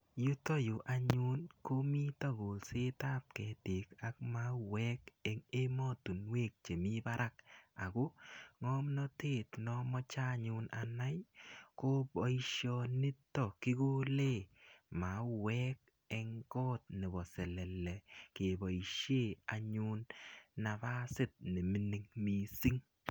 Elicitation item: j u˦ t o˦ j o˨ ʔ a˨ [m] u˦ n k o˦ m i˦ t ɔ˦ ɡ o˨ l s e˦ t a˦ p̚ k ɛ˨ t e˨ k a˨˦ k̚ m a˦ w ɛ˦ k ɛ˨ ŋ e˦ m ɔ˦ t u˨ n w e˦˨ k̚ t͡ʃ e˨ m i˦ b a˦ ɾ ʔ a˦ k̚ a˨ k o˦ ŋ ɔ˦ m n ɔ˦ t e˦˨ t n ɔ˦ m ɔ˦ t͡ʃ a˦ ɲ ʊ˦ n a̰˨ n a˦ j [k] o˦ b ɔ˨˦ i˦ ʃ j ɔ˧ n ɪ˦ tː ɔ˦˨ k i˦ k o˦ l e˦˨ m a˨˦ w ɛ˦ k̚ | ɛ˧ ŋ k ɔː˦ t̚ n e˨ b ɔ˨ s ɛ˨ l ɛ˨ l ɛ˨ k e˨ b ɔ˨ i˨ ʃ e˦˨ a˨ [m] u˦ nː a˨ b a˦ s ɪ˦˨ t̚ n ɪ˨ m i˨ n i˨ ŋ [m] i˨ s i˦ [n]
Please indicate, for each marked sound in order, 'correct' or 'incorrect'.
incorrect: ɲ, correct, incorrect: ɲ, correct, incorrect: ŋ

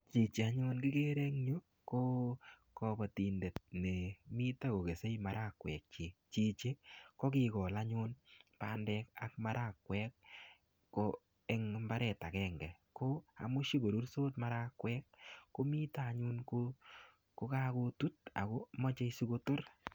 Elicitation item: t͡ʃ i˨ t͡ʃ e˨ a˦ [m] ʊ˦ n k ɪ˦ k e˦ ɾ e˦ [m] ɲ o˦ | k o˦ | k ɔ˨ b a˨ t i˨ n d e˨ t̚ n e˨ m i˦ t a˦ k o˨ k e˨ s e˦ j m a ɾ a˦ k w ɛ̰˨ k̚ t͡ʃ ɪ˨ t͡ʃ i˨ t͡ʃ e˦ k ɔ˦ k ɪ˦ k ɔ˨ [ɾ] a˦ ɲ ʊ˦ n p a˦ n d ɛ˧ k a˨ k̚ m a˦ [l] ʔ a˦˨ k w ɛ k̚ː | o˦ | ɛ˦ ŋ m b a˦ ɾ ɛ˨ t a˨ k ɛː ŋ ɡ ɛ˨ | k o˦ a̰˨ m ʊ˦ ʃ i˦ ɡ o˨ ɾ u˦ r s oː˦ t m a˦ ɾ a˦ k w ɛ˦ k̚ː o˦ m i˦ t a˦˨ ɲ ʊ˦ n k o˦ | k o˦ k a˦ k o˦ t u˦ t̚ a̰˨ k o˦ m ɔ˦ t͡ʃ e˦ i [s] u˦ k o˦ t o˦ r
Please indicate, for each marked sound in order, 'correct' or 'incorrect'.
incorrect: ɲ, incorrect: ŋ, incorrect: l, incorrect: ɾ, correct

